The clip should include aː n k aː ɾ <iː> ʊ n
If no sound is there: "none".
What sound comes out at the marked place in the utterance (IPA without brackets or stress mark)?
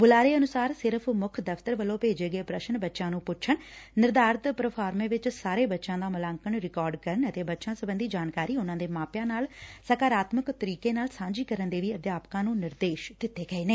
iː